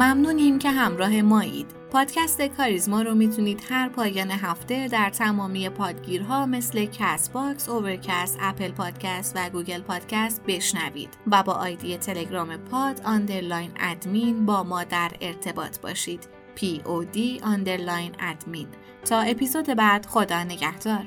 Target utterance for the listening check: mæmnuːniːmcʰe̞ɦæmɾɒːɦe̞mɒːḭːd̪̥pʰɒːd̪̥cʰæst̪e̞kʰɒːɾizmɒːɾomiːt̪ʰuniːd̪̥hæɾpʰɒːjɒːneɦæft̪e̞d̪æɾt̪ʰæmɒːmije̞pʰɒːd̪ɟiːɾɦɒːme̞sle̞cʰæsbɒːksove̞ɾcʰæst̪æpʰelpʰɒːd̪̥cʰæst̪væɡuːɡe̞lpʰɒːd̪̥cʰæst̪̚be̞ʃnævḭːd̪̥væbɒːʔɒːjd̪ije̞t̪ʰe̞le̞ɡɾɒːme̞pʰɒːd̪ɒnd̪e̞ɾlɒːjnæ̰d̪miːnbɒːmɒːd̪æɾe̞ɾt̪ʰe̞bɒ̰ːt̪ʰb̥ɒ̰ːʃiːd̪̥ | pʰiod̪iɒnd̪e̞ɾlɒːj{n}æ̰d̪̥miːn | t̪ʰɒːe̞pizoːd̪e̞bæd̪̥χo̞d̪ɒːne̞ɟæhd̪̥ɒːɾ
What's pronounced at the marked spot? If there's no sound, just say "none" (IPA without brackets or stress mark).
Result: n